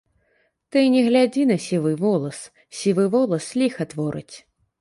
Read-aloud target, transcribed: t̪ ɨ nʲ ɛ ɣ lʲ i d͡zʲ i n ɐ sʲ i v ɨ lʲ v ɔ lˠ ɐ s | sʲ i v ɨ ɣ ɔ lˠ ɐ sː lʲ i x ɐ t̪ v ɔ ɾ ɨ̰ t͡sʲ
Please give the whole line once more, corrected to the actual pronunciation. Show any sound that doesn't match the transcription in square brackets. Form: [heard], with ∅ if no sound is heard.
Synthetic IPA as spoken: t̪ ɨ nʲ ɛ ɣ lʲ [a] d͡zʲ i n ɐ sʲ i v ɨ [∅] v ɔ lˠ ɐ s | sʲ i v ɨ [v] ɔ lˠ ɐ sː lʲ i x ɐ t̪ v ɔ ɾ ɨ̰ t͡sʲ